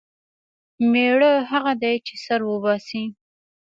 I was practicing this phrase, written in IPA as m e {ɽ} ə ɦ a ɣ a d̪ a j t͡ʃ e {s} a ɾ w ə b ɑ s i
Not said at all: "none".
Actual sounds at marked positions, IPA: ɽ, s

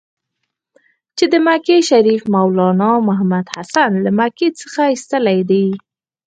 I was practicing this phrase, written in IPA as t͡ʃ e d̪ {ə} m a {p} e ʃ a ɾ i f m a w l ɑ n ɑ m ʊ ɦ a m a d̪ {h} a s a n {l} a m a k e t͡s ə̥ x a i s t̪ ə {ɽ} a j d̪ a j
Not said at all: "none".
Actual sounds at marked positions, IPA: ə, k, h, l, l

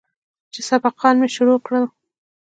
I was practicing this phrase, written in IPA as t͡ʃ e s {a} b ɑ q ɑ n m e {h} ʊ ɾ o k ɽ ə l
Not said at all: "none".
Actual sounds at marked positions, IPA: a, ʃ

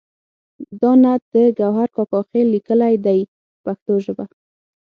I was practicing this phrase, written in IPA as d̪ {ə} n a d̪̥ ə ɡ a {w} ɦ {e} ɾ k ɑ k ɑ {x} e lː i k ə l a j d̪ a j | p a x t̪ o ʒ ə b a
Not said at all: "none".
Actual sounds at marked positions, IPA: ɑ, w, a, x

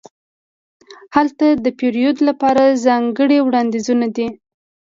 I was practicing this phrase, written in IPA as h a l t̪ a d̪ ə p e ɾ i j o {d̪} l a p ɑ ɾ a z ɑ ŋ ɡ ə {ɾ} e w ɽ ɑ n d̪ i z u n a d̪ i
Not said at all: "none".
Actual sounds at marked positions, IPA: d̪, ɽ

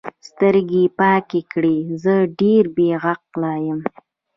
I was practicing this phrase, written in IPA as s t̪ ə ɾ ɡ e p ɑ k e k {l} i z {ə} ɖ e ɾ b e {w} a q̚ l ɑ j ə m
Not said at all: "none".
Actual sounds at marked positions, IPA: ɽ, ə, ɣ

